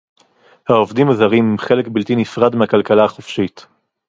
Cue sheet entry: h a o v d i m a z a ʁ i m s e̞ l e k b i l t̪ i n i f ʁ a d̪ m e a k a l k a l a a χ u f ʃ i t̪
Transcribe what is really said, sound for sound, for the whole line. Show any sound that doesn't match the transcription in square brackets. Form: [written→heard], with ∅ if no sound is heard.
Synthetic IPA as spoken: h a o v d i m a z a ʁ i m [s→χ] e̞ l e k b i l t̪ i n i f ʁ a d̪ m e a k a l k a l a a χ [u→o] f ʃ i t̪